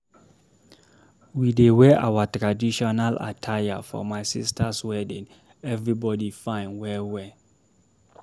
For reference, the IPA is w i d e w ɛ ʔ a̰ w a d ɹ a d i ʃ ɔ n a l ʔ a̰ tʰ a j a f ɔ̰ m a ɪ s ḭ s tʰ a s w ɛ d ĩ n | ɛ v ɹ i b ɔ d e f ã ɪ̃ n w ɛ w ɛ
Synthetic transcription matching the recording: w i d e w ɛ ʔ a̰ w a t ɹ a d i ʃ ɔ n a l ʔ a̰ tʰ a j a f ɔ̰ m a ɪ s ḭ s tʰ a s w ɛ d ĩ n | ɛ v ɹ i b ɔ d i f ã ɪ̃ n w ɛ w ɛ